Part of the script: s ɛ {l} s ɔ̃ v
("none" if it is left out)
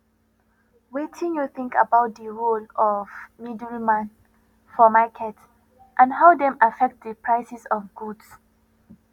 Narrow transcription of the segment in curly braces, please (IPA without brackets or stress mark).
none